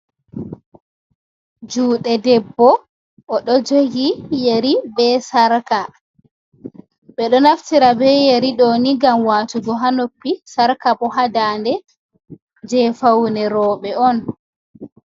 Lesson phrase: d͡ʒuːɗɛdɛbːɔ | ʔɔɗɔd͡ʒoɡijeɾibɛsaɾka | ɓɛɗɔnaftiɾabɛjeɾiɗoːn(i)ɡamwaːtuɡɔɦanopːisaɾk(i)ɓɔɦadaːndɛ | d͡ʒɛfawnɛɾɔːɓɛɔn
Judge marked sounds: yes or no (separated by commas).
yes, no